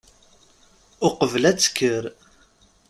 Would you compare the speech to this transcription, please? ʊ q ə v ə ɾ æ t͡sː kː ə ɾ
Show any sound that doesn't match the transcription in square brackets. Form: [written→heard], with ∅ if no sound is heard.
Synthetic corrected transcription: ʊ q ə v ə [ɾ→l] æ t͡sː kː ə ɾ